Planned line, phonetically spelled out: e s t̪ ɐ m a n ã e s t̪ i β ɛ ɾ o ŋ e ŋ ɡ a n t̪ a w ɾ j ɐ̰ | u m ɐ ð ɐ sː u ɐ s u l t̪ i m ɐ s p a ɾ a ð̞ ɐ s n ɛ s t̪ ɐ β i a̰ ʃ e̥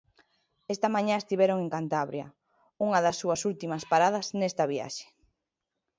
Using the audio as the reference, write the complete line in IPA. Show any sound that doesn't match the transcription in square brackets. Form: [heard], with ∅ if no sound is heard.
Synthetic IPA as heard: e s t̪ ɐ m a [ɲ] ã e s t̪ i β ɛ ɾ o ŋ e ŋ [k] a n t̪ a [β] ɾ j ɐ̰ | u [ŋ] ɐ ð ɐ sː u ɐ s u l t̪ i m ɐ s p a ɾ a ð̞ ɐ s n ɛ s t̪ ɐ β i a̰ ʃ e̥

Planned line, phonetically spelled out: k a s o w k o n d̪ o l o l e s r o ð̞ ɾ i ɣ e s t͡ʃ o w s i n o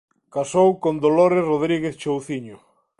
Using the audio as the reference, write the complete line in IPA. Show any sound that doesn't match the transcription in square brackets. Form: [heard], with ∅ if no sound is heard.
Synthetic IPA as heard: k a s o w k o n d̪ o l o [ɾ] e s r o ð̞ ɾ i ɣ e [θ] t͡ʃ o w [θ] i [ɲ] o

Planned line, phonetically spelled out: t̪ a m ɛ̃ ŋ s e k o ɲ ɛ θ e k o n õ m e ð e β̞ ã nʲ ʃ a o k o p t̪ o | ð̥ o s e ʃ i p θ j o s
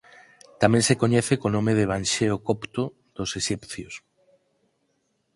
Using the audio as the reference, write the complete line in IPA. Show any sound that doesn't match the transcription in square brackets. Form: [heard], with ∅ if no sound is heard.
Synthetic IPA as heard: t̪ a m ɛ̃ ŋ s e k o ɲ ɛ θ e k o n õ m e ð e β̞ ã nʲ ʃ [e] o k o p t̪ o | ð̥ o s e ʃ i p θ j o s

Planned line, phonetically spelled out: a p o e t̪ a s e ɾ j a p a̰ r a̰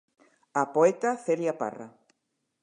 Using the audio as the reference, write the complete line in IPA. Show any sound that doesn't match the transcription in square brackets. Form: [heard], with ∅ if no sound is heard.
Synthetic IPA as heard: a p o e t̪ a [θ] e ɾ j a p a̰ r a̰

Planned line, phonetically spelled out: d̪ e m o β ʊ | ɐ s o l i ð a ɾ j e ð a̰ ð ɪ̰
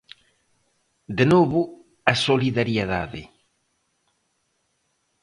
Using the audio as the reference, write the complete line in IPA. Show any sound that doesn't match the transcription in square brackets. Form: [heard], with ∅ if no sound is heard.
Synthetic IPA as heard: d̪ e [n] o β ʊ | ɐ s o l i ð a ɾ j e ð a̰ ð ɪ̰

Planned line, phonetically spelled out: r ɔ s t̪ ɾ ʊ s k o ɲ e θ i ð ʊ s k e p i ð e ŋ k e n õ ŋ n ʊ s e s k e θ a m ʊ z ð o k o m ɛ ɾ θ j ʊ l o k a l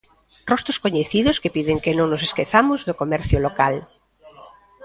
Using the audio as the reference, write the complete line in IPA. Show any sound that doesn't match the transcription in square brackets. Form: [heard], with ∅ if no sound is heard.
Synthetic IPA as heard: r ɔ s t̪ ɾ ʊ s k o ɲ e θ i ð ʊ s k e p i ð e ŋ k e n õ ŋ n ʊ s e s k e θ a m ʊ z ð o k o m ɛ ɾ θ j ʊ l o k a l

